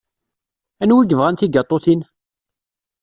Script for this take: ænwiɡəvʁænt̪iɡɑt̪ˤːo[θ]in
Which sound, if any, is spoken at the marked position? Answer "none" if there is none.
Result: θ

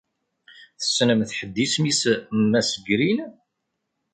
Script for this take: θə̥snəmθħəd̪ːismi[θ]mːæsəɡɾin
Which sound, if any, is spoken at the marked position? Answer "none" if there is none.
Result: s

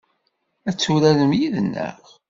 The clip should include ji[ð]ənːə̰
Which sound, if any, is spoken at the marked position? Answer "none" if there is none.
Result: ð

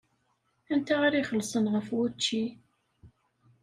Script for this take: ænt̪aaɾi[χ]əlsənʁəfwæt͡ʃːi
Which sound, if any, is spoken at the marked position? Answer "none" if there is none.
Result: χ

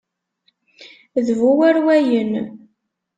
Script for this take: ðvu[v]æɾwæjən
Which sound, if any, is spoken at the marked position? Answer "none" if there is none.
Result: w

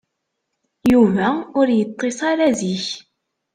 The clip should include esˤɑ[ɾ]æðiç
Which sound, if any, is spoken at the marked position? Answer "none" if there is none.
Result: ɾ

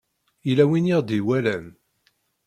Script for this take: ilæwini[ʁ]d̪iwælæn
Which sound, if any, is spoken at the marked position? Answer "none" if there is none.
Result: ʁ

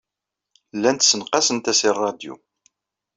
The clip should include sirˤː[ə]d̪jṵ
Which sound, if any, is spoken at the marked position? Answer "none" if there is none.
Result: ɑ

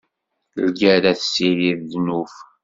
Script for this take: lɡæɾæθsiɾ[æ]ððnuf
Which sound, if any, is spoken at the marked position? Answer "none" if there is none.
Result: i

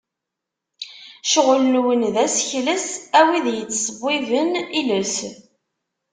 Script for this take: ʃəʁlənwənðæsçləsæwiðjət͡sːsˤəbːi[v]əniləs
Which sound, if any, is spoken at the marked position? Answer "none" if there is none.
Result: v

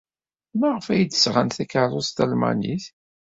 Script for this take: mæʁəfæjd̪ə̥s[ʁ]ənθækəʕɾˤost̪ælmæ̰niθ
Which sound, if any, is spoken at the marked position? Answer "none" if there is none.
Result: ʁ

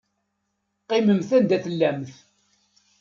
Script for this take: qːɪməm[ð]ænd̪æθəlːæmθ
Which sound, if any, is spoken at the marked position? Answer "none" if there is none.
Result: θ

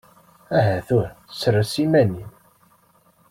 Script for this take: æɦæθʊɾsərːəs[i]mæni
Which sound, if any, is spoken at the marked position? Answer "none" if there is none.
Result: i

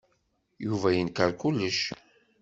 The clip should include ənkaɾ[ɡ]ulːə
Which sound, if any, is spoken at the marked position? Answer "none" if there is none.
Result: k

